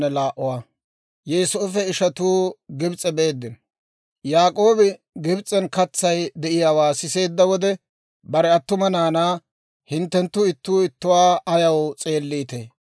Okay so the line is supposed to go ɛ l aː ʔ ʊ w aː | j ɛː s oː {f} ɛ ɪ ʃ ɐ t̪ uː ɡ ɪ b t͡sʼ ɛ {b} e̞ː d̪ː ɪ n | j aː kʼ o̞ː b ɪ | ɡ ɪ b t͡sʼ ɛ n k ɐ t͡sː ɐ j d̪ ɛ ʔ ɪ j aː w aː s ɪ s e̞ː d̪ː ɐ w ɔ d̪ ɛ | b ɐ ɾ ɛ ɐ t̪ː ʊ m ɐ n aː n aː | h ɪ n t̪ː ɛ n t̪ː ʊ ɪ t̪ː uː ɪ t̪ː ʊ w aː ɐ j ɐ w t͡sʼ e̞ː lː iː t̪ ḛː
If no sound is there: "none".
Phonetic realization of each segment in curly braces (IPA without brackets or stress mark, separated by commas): f, b